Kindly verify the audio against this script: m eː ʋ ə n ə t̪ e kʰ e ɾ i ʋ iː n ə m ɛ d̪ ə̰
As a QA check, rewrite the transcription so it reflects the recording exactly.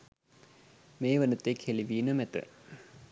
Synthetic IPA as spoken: m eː ʋ ə n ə t̪ e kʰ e l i ʋ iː n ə m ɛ t̪ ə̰